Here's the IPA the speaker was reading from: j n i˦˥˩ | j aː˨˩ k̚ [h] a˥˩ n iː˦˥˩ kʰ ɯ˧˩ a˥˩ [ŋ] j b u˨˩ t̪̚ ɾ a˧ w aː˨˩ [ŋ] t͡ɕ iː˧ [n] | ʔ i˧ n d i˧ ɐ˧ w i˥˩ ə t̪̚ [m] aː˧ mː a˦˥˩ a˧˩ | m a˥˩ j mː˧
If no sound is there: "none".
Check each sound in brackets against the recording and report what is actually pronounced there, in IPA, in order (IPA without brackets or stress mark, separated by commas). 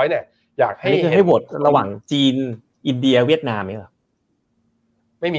h, none, ŋ, n, n